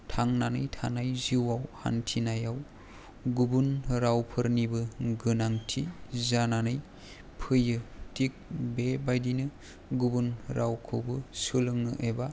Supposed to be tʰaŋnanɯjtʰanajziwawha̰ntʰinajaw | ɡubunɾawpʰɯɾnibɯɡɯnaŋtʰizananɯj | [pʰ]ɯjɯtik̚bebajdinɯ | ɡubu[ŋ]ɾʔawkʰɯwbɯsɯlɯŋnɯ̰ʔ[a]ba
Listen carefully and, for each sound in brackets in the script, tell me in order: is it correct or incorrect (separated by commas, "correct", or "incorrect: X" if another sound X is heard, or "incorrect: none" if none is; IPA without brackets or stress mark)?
correct, incorrect: n, incorrect: e